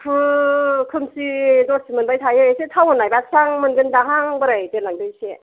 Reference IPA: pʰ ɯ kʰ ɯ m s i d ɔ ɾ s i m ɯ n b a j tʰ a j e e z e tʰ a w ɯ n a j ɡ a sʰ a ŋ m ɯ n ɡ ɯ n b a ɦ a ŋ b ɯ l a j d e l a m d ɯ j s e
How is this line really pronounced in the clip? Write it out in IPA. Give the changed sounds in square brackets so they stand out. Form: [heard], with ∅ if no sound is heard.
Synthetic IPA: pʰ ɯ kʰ ɯ m s i d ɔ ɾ s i m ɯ n b a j tʰ a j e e [s] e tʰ a w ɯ n a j [b] a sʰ a ŋ m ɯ n ɡ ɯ n [d] a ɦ a ŋ b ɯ [ɾ] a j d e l a [ŋ] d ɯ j s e